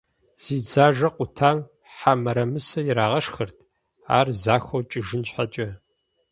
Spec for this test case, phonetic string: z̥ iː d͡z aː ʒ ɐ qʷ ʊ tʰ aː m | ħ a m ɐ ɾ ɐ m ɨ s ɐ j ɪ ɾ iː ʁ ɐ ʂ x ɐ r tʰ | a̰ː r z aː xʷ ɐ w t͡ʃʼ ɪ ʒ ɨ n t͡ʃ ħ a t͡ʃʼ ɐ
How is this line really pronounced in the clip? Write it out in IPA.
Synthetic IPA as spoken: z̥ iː d͡z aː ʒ ɐ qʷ ʊ tʰ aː m | ħ a m ɐ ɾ ɐ m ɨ s ɐ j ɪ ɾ aː ʁ ɐ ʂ x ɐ r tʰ | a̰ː r z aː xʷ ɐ w t͡ʃʼ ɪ ʒ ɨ n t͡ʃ ħ a t͡ʃʼ ɐ